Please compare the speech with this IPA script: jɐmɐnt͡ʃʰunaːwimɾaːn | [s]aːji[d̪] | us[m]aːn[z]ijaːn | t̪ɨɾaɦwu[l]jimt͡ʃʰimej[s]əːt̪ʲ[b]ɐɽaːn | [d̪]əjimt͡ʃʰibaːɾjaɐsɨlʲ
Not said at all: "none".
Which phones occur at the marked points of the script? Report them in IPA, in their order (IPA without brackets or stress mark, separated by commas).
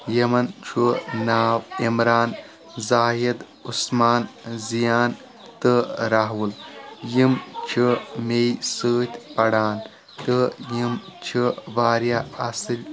z, d̪, m, z, l, s, p, t̪